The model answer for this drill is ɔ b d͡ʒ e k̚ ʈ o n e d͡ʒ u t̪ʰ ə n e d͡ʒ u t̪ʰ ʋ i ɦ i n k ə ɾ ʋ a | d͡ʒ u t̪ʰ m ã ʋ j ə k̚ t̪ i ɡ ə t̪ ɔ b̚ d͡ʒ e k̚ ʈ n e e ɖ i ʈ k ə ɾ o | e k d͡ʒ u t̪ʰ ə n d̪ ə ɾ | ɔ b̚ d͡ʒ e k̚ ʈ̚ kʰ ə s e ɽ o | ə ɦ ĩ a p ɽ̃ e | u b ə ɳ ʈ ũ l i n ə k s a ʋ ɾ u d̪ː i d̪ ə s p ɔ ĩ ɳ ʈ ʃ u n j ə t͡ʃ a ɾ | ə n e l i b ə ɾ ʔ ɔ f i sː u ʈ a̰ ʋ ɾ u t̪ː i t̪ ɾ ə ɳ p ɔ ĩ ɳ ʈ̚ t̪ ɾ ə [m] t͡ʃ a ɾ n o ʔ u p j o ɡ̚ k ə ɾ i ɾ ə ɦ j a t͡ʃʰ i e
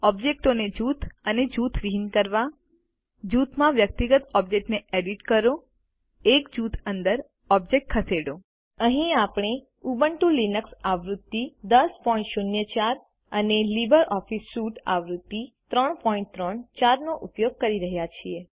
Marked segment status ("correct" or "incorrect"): incorrect